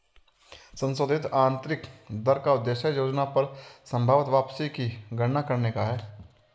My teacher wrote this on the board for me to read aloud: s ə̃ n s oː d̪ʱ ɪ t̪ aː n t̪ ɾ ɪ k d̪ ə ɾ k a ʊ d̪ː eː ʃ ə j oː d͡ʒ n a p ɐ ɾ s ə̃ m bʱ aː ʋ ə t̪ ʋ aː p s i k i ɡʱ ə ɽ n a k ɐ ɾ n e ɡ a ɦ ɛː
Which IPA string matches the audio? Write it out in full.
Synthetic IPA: s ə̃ n s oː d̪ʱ ɪ t̪ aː n t̪ ɾ ɪ k d̪ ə ɾ k a ʊ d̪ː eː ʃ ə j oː d͡ʒ n a p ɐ ɾ s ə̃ m bʱ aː ʋ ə t̪ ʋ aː p s i k i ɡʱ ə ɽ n a k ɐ ɾ n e k a ɦ ɛː